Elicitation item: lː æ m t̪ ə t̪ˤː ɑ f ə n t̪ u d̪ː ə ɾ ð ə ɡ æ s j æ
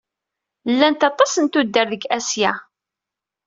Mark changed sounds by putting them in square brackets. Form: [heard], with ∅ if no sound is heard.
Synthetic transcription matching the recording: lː æ [n] t̪ [ɑ] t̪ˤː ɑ [s] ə n t̪ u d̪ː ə ɾ ð ə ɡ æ s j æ